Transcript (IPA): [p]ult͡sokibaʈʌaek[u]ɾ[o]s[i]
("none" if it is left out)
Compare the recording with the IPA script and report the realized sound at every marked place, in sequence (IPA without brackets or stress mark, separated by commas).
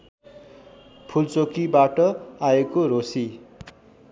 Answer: pʰ, o, o, i